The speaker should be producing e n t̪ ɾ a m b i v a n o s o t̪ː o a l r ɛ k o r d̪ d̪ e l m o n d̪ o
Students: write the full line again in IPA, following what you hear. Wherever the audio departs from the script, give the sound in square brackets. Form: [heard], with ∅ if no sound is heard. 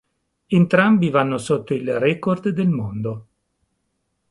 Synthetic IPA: e n t̪ ɾ a m b i v a [nː] o s o t̪ː o [i] l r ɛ k o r d̪ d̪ e l m o n d̪ o